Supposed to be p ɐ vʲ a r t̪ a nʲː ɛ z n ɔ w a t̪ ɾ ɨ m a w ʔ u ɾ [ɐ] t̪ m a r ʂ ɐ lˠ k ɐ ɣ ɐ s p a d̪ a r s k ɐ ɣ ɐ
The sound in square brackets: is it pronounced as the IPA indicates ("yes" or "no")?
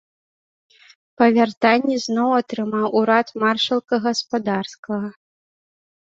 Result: no